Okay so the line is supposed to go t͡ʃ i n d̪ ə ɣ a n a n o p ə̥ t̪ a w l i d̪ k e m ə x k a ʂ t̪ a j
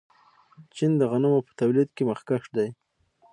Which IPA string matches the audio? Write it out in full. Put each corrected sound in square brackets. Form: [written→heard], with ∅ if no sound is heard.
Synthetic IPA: t͡ʃ i n d̪ ə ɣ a n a [n→m] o p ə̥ t̪ a w l i d̪ k e m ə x k a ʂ [t̪→d̪] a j

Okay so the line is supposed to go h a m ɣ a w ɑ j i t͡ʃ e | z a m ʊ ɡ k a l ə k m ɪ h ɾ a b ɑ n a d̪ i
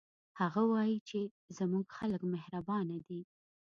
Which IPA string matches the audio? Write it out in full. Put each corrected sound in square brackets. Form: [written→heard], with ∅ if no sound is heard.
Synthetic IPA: h a [m→∅] ɣ a w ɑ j i t͡ʃ e | z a m [ʊ→u] ɡ [k→x] a l ə k m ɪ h ɾ a b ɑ n a d̪ i

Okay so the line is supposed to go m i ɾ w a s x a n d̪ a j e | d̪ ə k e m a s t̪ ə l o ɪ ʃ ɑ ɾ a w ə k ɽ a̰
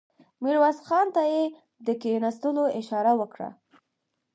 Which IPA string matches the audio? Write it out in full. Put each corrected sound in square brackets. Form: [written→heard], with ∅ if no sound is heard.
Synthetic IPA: m i ɾ w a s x [a→ɑ] n [d̪→t̪] a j e | d̪ ə k e [m→n] a s t̪ ə l o ɪ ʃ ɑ ɾ a w ə k ɽ a̰

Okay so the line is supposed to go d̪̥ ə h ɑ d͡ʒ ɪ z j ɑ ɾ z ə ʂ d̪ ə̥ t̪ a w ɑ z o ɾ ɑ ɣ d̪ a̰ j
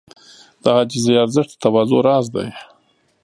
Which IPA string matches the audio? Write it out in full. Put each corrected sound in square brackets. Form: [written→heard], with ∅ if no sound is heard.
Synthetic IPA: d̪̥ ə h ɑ d͡ʒ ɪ z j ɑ ɾ z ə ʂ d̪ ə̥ t̪ a w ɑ z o ɾ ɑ [ɣ→z] d̪ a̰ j

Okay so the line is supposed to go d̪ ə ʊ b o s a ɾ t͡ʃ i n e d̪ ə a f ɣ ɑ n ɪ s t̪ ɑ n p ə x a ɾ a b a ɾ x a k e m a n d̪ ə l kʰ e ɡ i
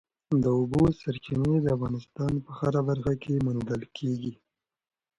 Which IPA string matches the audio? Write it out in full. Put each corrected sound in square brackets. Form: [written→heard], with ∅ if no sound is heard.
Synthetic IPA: d̪ ə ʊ b o s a ɾ t͡ʃ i n e d̪ ə a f ɣ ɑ n ɪ s t̪ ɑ n p ə x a ɾ a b a ɾ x a k e m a n d̪ ə l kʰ e ɡ i

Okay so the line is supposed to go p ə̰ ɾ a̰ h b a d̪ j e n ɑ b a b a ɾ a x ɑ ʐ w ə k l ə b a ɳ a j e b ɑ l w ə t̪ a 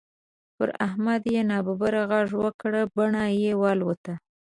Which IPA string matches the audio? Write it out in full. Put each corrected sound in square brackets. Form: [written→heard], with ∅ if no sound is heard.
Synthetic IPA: p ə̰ ɾ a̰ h [b→m] a d̪ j e n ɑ b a b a ɾ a [x→ɣ] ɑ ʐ w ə k [l→ɽ] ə b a ɳ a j e [b→w] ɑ l w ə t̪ a

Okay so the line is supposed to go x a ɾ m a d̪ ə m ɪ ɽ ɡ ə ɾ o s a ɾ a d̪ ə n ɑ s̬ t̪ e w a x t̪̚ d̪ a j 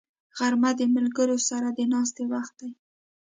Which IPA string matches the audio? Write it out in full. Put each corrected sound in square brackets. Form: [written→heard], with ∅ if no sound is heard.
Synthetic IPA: [x→ɣ] a ɾ m a d̪ ə m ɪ [ɽ→l] ɡ ə ɾ o s a ɾ a d̪ ə n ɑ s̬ t̪ e w a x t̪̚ d̪ a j

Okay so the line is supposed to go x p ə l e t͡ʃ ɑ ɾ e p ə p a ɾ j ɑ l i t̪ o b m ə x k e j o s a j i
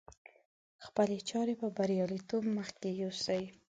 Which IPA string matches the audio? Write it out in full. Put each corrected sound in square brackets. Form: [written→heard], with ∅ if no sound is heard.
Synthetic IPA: x p ə l e t͡ʃ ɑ ɾ e p ə [p→b] a ɾ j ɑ l i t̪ o b m ə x k e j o s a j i

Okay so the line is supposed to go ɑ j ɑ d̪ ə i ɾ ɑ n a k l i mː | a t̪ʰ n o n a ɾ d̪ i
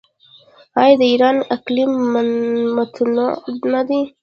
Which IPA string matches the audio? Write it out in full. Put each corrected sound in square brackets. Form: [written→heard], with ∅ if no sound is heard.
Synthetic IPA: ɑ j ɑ d̪ ə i ɾ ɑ n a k l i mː | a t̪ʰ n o n a [ɾ→∅] d̪ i

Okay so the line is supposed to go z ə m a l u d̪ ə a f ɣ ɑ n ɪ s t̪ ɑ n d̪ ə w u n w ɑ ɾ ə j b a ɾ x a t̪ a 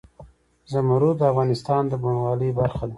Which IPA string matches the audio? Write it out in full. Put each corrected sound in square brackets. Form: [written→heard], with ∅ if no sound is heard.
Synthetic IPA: z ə m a [l→ɾ] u d̪ ə a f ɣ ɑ n ɪ s t̪ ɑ n d̪ ə [w→b] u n w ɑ [ɾ→l] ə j b a ɾ x a [t̪→d̪] a

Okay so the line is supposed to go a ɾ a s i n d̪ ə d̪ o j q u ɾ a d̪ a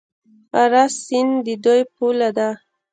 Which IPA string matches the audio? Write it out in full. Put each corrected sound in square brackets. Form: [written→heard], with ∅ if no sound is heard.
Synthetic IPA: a ɾ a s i n d̪ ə d̪ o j [q→p] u [ɾ→l] a d̪ a

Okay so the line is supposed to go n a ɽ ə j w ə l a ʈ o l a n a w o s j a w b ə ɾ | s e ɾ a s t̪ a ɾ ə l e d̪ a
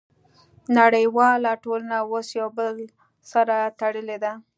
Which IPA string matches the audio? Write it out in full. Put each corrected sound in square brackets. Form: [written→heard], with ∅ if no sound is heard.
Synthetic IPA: n a ɽ ə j w [ə→ɑ] l a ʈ o l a n a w o s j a w b ə [ɾ→l] | s [e→a] ɾ a [s→∅] t̪ a [ɾ→ɽ] ə l e d̪ a

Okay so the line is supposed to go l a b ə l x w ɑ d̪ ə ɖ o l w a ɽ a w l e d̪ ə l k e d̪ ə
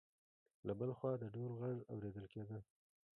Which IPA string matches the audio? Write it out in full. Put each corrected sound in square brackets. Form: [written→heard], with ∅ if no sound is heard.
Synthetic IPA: l a b ə l x w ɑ d̪ ə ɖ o l [w→ɣ] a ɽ a w [l→ɾ] e d̪ ə l k e d̪ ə

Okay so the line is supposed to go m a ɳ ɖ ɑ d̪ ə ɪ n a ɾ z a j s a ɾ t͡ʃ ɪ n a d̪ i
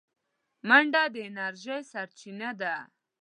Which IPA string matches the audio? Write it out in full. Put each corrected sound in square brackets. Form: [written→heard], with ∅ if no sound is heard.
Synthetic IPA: m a ɳ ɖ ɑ d̪ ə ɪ n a ɾ [z→ʒ] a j s a ɾ t͡ʃ [ɪ→i] n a d̪ [i→a]

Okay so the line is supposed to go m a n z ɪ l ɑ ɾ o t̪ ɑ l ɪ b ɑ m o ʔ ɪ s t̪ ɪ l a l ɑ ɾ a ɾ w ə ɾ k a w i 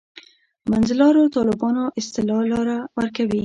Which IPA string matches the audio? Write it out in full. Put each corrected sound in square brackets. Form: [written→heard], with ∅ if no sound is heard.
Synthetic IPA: m a n z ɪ l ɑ ɾ o t̪ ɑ l ɪ b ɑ [m→n] o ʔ ɪ s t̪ ɪ l [a→ɑ] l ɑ ɾ a [ɾ→∅] w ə ɾ k a w i

